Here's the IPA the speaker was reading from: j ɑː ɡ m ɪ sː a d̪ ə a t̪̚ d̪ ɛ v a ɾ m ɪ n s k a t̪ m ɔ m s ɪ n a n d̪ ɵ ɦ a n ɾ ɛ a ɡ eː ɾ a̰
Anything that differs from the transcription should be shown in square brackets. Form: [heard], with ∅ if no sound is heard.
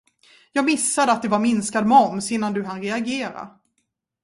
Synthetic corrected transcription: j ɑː ɡ m ɪ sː a d̪ ə a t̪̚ d̪ ɛ v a ɾ m ɪ n s k a [d̪] m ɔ m s ɪ [nː] a n d̪ ɵ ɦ a n ɾ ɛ a ɡ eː ɾ a̰